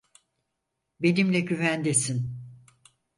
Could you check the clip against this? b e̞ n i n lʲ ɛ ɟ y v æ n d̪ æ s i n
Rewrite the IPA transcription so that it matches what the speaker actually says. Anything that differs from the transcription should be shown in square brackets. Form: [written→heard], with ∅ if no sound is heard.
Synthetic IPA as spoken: b e̞ n i [n→m] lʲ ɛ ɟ y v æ n d̪ [æ→e] s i n

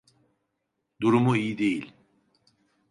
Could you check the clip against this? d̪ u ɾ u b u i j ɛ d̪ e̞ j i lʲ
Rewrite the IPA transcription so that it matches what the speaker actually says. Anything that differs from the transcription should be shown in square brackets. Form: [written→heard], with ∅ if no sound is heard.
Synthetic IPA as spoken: d̪ u ɾ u [b→m] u i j [ɛ→i] d̪ e̞ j i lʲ

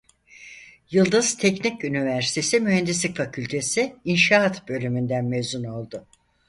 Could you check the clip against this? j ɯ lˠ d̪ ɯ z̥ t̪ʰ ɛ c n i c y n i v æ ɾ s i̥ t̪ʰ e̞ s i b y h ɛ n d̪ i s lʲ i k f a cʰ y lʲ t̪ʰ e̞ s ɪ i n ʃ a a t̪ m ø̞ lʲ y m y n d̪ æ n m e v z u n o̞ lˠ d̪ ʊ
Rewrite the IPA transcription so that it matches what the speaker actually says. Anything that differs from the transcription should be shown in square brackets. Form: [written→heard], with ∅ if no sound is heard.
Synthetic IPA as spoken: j ɯ lˠ d̪ ɯ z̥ t̪ʰ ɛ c n i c y n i v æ ɾ s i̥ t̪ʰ e̞ s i [b→m] y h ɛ n d̪ i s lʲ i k f a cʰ y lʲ t̪ʰ e̞ s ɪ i n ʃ a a t̪ [m→b] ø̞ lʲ y m y n d̪ æ n m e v z u n o̞ lˠ d̪ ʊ

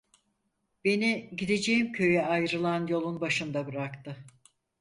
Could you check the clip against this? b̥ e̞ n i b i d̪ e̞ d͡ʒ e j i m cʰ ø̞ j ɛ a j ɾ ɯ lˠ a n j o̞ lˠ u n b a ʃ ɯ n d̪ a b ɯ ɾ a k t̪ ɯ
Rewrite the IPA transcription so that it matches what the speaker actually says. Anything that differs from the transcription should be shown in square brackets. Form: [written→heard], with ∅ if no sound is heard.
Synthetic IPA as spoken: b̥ e̞ n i [b→ɟ] i d̪ e̞ d͡ʒ e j i m cʰ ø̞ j ɛ a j ɾ ɯ lˠ a n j o̞ lˠ u n b a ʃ ɯ n d̪ a b ɯ ɾ a k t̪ ɯ

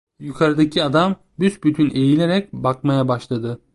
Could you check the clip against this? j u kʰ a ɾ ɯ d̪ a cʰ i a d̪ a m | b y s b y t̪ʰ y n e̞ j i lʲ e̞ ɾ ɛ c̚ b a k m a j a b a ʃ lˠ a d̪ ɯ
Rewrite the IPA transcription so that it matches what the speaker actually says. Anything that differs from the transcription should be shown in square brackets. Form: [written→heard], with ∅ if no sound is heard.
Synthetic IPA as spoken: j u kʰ a ɾ ɯ d̪ a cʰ i a d̪ a m | b y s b y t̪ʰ y n e̞ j i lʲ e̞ ɾ ɛ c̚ b a k m a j a b a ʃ lˠ a d̪ ɯ

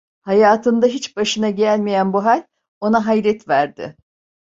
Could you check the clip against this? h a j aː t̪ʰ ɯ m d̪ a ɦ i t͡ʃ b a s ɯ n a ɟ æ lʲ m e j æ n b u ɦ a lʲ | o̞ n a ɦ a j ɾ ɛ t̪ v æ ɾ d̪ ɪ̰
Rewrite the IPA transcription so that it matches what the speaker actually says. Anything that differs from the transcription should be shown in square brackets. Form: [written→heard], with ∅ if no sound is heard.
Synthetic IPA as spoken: h a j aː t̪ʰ ɯ [m→n] d̪ a ɦ i t͡ʃ b a [s→ʃ] ɯ n a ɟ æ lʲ m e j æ n b u ɦ a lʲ | o̞ n a ɦ a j ɾ ɛ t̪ v æ ɾ d̪ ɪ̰

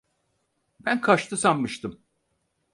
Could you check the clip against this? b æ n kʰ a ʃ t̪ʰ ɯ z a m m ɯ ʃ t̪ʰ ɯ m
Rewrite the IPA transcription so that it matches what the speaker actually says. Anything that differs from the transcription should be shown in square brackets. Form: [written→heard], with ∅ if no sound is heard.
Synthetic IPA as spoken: b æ n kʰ a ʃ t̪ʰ ɯ [z→s] a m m ɯ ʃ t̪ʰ ɯ m

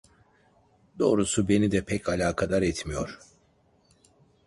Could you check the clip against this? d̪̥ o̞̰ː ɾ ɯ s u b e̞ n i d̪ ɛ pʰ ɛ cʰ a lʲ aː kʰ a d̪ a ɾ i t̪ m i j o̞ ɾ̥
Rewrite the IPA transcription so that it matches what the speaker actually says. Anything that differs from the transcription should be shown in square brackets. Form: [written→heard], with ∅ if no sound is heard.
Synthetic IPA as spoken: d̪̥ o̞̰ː ɾ [ɯ→u] s u b e̞ n i d̪ ɛ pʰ ɛ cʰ a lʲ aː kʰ a d̪ a ɾ [i→ɛ] t̪ m i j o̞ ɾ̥

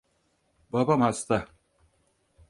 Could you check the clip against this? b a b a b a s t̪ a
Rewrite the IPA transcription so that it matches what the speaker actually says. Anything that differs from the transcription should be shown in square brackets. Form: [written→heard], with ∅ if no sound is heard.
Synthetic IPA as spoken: b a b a [b→m] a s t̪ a

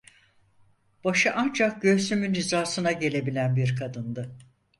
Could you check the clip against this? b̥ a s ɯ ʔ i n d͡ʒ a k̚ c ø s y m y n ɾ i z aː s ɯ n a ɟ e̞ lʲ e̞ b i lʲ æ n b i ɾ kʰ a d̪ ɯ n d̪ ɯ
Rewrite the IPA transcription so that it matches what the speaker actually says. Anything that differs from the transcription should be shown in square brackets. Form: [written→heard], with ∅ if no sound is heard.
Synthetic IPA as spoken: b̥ a [s→ʃ] ɯ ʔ [i→a] n d͡ʒ a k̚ [c→ɟ] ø s y m y n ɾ i z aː s ɯ n a ɟ e̞ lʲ e̞ b i lʲ æ n b i ɾ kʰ a d̪ ɯ n d̪ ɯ

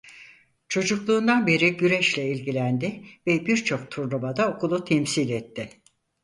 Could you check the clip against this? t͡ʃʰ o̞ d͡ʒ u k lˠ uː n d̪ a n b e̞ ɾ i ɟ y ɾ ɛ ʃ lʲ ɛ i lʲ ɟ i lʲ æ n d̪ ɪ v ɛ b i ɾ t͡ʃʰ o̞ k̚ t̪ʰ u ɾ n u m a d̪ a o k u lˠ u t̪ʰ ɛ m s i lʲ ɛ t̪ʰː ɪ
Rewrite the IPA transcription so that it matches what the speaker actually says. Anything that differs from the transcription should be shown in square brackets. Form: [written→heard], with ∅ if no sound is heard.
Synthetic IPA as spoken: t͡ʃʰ o̞ d͡ʒ u k lˠ uː n d̪ a n b e̞ ɾ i ɟ y ɾ ɛ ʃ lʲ ɛ i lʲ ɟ i lʲ æ n d̪ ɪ v ɛ b i ɾ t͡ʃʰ o̞ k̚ t̪ʰ u ɾ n u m a d̪ a o k u lˠ u t̪ʰ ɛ m s i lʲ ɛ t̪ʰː ɪ

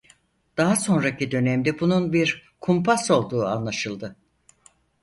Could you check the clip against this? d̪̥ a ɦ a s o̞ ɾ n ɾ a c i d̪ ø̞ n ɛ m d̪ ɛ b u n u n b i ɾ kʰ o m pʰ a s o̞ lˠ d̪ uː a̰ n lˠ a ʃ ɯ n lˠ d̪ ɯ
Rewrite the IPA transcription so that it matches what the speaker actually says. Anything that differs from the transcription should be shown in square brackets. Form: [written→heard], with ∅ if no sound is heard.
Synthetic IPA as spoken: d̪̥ a ɦ a s o̞ [ɾ→∅] n ɾ a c i d̪ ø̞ n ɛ m d̪ ɛ b u n u n b i ɾ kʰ [o→u] m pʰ a s o̞ lˠ d̪ uː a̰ n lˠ a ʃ ɯ [n→∅] lˠ d̪ ɯ

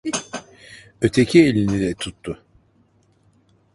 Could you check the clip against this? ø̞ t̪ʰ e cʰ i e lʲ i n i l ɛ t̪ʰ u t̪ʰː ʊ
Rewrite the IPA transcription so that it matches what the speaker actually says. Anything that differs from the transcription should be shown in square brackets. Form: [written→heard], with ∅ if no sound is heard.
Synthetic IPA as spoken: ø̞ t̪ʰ e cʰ i e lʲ i n i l ɛ t̪ʰ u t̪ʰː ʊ

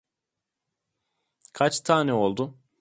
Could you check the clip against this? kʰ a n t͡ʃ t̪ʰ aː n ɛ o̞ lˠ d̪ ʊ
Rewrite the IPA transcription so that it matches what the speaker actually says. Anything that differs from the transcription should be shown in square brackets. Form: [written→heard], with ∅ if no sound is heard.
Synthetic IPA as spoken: kʰ a [n→∅] t͡ʃ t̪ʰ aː n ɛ o̞ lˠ d̪ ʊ

